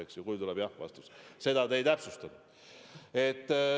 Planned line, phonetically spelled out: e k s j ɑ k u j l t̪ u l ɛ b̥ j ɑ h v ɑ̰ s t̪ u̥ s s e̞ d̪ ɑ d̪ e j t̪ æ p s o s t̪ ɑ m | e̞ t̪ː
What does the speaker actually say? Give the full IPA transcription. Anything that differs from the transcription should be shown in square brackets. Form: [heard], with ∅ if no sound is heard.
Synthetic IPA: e k s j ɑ k u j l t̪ u l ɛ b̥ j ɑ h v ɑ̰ s t̪ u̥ s s e̞ d̪ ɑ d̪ e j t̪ æ p s [u] s t̪ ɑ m | e̞ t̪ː